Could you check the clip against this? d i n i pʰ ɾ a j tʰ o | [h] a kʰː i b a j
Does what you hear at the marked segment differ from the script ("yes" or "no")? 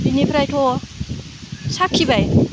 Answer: yes